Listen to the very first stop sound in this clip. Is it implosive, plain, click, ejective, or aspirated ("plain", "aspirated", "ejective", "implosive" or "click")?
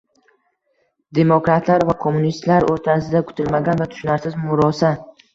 plain